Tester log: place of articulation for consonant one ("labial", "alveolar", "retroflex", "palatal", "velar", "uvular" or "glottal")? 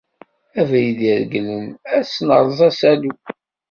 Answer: labial